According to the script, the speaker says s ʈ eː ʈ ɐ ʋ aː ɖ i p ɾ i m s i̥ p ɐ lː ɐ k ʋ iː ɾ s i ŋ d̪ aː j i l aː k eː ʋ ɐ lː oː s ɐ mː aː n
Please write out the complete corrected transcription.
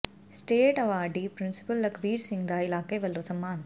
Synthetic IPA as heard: s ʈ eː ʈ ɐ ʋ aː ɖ i p ɾ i n s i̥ p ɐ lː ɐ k ʋ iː ɾ s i ŋ d̪ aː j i l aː k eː ʋ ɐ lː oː s ɐ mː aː n